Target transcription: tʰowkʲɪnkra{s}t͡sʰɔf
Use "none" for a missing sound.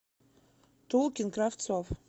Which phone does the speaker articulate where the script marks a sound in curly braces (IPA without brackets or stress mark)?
f